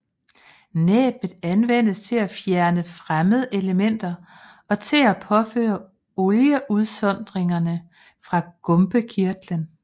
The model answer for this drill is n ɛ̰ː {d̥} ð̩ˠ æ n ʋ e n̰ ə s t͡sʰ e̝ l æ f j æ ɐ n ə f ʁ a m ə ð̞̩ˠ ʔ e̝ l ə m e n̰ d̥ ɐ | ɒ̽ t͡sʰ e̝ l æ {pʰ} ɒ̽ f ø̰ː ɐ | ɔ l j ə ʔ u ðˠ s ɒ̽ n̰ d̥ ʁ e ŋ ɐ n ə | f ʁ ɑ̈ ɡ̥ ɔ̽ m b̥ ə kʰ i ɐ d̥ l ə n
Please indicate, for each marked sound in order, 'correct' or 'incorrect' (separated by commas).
incorrect, correct